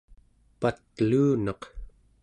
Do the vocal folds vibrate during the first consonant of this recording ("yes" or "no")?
no